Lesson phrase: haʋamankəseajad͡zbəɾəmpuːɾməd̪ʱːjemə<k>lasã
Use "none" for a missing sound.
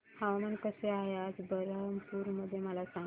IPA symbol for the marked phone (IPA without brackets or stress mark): none